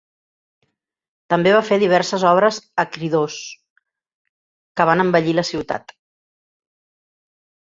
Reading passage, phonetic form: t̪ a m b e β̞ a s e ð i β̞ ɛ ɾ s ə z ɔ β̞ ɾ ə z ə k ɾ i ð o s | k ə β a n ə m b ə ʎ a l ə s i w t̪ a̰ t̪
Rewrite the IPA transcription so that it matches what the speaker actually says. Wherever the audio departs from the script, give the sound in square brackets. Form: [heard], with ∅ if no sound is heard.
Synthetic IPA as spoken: t̪ [ə] m b e β̞ a [f] e ð i β̞ ɛ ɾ s ə z ɔ β̞ ɾ ə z ə k ɾ i ð o s | k ə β a n ə m b ə ʎ [i] l ə s i w t̪ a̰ t̪